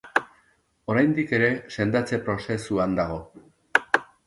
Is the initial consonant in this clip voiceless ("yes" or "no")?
no